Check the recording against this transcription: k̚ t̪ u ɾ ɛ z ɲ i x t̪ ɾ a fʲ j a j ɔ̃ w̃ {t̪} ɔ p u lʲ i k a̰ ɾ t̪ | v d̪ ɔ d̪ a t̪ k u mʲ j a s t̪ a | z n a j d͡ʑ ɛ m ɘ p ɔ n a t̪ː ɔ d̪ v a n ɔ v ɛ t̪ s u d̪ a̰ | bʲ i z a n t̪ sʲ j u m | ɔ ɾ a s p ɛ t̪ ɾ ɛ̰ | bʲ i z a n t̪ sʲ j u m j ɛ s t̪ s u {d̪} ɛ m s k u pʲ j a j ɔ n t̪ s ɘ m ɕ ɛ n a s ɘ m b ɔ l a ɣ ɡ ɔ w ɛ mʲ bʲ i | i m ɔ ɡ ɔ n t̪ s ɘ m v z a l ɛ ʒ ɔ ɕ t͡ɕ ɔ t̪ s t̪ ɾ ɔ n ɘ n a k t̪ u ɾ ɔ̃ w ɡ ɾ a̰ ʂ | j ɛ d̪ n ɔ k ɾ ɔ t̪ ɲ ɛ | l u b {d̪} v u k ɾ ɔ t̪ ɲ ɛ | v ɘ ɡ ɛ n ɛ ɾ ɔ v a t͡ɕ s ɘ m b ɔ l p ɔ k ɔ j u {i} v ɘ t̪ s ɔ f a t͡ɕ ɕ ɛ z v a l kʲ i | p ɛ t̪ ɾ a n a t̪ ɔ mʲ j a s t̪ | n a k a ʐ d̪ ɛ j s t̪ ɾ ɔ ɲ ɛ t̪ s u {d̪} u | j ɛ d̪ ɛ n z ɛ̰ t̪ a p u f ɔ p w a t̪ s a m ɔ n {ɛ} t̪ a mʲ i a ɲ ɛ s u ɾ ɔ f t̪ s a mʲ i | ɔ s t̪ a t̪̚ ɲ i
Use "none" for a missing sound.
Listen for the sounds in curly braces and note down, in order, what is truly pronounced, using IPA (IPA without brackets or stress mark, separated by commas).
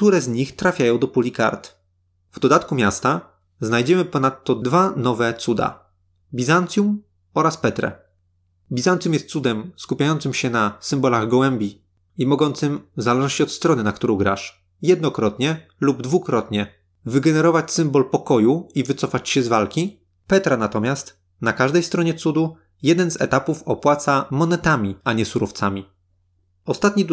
d̪, d̪, d̪, i, d̪, ɛ